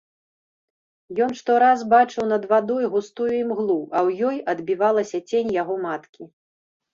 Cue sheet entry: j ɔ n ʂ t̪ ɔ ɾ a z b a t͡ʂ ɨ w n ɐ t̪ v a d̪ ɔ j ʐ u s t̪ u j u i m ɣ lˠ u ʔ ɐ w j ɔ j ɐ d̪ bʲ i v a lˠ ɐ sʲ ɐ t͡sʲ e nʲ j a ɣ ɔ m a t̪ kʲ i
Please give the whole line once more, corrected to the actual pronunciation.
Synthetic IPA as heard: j ɔ n ʂ t̪ ɔ ɾ a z b a t͡ʂ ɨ w n ɐ d̪ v a d̪ ɔ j ɣ u s t̪ u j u i m ɣ lˠ u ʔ ɐ w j ɔ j ɐ d̪ bʲ i v a lˠ ɐ sʲ ɐ t͡sʲ e nʲ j a ɣ ɔ m a t̪ kʲ i